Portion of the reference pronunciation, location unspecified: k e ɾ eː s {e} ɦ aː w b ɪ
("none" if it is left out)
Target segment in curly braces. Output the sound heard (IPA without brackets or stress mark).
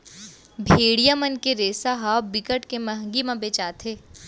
a